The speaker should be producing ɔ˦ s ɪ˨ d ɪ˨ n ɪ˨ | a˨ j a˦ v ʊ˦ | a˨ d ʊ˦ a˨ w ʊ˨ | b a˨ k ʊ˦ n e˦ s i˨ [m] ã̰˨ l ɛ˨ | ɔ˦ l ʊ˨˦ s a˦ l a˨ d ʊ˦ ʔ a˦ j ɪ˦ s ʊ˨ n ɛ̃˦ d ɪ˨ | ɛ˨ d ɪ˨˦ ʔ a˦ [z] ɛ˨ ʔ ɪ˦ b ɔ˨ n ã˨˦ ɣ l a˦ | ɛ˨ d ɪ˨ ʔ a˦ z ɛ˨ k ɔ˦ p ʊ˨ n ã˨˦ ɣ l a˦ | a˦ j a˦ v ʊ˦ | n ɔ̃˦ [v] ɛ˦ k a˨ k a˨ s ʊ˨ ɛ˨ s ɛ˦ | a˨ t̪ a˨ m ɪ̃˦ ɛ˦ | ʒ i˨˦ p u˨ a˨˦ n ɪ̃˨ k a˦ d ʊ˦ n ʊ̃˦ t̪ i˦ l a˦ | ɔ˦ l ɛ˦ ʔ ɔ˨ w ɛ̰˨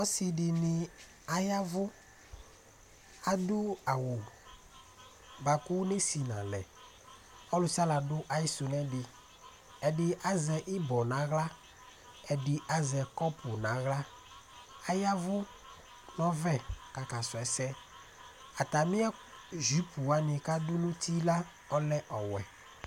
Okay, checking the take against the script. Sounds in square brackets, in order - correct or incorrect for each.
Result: incorrect: n, correct, correct

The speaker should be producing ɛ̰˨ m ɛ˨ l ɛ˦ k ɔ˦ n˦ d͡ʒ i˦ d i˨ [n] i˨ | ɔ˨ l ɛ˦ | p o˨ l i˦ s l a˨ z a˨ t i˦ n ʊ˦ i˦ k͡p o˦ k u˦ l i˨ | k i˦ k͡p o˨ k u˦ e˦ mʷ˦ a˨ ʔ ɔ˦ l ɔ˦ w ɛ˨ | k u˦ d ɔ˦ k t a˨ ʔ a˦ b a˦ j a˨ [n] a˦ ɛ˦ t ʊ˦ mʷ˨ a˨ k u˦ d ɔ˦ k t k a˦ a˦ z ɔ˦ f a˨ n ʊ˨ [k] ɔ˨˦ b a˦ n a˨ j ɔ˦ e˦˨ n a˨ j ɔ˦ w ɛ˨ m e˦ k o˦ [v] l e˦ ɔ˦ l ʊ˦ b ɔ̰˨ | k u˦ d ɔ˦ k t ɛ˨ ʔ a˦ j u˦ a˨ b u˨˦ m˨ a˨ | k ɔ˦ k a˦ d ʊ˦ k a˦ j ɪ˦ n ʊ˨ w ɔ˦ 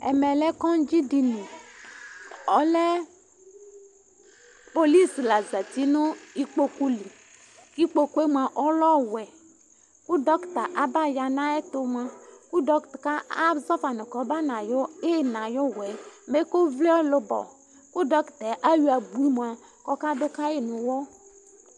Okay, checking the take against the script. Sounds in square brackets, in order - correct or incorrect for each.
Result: correct, correct, correct, correct

